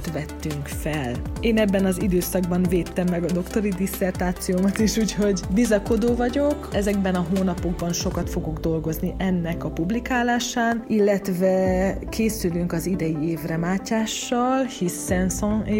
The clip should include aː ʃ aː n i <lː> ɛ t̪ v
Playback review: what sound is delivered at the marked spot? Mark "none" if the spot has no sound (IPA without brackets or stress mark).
lː